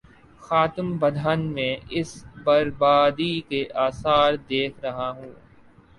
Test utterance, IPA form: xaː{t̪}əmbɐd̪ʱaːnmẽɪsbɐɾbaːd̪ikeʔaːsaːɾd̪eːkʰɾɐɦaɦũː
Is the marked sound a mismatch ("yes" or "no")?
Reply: no